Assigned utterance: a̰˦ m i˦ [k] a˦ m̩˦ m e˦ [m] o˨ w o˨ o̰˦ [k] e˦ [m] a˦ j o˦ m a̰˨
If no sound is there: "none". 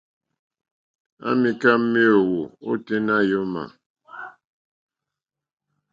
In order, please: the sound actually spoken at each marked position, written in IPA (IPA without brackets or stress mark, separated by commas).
k, none, t, n